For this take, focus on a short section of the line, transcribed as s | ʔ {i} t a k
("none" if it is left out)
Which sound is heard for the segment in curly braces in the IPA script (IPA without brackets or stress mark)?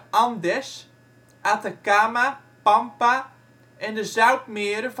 a